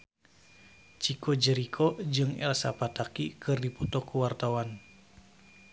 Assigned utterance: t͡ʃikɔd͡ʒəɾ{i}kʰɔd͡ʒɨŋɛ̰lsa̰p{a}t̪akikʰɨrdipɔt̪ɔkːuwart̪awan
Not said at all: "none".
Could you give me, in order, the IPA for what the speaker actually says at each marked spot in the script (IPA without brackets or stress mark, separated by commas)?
i, a